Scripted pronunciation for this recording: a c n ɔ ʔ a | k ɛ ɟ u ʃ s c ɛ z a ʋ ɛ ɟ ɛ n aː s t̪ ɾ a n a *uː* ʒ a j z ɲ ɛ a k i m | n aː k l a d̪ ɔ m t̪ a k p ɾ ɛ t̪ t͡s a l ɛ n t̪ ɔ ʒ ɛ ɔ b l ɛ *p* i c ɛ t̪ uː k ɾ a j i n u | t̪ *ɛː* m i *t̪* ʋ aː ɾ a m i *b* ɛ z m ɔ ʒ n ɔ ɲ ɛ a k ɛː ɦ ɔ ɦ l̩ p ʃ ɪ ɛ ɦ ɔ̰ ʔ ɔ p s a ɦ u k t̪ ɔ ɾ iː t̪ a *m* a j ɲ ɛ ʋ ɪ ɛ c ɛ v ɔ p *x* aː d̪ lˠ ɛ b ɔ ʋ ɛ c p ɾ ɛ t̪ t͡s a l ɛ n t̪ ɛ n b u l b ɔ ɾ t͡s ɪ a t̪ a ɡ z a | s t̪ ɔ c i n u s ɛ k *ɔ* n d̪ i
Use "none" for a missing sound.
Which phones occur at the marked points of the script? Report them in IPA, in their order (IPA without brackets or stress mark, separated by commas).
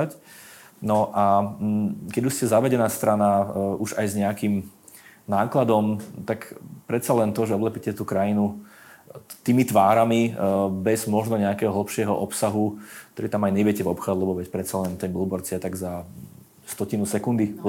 u, p, iː, t̪, b, m, x, u